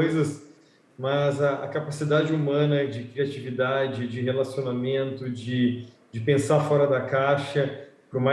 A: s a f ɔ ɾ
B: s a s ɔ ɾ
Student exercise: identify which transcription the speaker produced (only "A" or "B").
A